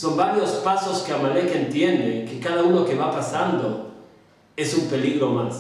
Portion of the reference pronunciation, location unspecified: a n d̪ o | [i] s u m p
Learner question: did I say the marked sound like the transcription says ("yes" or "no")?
no